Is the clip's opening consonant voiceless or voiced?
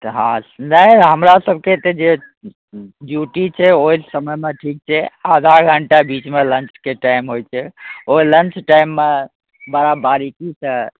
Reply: voiceless